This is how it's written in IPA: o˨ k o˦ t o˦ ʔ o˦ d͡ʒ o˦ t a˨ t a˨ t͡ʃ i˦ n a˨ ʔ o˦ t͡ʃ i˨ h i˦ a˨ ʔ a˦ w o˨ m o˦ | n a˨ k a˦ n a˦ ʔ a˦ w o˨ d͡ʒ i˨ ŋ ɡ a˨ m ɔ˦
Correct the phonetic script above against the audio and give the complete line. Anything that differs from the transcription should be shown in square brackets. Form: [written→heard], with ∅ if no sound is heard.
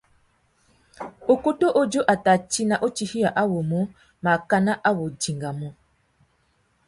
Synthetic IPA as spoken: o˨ k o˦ t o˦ ʔ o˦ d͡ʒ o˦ [t→ʔ] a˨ t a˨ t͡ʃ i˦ n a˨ ʔ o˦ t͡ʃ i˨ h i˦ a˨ ʔ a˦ w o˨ m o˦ | [n→m] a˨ k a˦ n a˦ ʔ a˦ w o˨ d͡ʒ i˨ ŋ ɡ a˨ m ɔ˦